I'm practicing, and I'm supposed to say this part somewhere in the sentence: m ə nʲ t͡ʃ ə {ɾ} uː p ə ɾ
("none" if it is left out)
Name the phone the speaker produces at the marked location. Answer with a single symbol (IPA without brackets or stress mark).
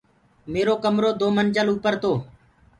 l